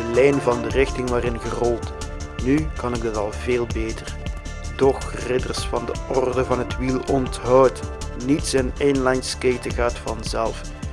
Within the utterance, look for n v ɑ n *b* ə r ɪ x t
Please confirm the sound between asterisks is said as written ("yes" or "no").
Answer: no